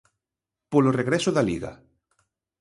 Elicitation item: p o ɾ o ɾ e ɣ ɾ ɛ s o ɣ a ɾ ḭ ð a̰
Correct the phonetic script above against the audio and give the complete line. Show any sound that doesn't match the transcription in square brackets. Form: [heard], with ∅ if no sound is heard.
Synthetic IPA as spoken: p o [l] o [r] e ɣ ɾ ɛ s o [ð] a [l] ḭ [ɣ] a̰